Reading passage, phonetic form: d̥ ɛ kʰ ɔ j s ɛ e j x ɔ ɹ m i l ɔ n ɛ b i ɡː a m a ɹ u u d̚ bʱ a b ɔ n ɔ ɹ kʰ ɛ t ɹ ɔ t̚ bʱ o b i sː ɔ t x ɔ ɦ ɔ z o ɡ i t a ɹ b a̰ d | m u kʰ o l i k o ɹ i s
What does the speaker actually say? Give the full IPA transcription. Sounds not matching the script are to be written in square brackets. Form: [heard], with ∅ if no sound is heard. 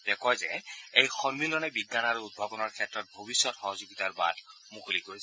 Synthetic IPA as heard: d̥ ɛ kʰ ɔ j [z] ɛ e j x ɔ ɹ m i l ɔ n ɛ b i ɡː a [n] a ɹ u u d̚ bʱ a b ɔ n ɔ ɹ kʰ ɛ t ɹ ɔ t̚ bʱ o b i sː ɔ t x ɔ ɦ ɔ z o ɡ i t a ɹ b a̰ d | m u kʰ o l i k o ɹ i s